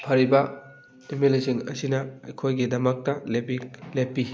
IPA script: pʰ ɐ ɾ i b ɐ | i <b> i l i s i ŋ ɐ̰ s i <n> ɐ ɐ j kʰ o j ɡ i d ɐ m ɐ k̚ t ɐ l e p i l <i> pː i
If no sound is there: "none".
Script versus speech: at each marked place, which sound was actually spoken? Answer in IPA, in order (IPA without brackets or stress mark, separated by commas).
m, n, e